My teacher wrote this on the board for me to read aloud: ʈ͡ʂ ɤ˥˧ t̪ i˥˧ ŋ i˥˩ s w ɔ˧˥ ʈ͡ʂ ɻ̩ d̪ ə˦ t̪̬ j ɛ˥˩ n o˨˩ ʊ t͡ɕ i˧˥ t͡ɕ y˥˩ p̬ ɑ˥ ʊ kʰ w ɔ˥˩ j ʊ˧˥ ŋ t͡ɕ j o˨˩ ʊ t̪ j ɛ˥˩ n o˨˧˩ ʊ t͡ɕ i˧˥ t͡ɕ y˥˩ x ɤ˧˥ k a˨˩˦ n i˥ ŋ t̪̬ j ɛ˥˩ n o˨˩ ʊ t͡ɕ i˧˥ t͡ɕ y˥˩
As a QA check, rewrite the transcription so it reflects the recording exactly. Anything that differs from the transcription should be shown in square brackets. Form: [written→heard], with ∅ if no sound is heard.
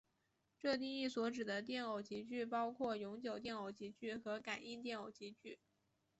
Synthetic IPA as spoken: ʈ͡ʂ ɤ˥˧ t̪ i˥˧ ŋ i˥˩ s w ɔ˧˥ ʈ͡ʂ ɻ̩ d̪ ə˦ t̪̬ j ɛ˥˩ n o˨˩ ʊ t͡ɕ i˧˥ t͡ɕ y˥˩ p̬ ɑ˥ ʊ kʰ w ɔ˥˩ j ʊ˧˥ ŋ t͡ɕ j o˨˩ ʊ t̪ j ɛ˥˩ n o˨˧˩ ʊ t͡ɕ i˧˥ t͡ɕ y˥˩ x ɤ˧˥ k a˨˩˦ n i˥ [ŋ→n] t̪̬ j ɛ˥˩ n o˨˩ ʊ t͡ɕ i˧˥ t͡ɕ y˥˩